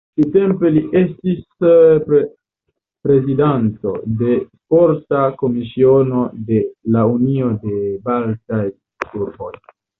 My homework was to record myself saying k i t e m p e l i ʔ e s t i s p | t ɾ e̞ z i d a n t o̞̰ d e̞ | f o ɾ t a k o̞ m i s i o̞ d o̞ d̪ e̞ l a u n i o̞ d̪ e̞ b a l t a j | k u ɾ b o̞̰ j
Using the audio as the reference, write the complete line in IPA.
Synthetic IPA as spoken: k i t e m p e l i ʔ e s t i s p | p ɾ e̞ z i d a n t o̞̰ d e̞ | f o ɾ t a k o̞ m i s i o̞ n o̞ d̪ e̞ l a u n i o̞ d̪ e̞ b a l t a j | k u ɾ b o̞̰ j